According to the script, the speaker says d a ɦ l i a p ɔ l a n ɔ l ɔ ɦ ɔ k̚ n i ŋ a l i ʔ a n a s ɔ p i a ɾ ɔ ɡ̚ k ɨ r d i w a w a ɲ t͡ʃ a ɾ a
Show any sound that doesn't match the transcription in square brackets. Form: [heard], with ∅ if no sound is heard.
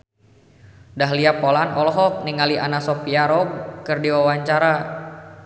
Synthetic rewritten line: d a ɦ l i a p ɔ l a n ɔ l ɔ ɦ ɔ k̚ n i ŋ a l i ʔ a n a s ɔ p i a ɾ ɔ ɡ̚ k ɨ r d i w a w a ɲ t͡ʃ a ɾ a